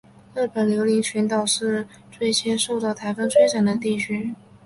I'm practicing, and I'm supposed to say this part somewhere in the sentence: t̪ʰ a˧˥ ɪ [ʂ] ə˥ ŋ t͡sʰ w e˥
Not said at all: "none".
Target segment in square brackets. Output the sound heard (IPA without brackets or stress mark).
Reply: f